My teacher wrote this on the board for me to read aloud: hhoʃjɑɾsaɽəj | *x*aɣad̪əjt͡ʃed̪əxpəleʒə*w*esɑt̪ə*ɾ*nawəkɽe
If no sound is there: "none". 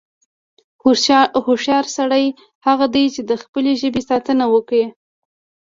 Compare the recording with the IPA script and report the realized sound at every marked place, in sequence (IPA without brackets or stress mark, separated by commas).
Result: h, b, none